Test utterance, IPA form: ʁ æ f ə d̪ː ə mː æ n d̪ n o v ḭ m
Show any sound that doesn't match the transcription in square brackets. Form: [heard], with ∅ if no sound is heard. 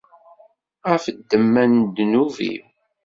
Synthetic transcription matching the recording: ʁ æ f ə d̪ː ə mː æ n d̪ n [u] v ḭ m